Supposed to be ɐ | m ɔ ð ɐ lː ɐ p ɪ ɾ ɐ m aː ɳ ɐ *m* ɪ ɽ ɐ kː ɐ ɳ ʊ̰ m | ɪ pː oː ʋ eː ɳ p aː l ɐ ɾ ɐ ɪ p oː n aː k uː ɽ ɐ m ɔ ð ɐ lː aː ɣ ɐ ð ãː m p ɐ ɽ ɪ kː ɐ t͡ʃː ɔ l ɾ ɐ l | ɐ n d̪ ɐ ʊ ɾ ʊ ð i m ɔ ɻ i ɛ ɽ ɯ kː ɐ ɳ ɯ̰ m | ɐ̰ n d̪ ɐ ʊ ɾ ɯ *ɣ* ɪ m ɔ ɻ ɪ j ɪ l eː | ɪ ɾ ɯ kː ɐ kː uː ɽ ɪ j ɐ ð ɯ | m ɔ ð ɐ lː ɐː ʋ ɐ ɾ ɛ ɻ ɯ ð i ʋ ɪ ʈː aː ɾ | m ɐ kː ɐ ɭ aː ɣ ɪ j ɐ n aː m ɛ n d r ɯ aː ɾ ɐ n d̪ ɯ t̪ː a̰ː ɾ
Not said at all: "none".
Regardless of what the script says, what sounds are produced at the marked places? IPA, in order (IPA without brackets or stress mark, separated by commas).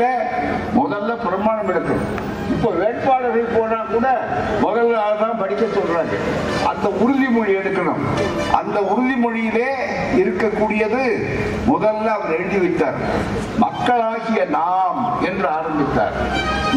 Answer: m, ð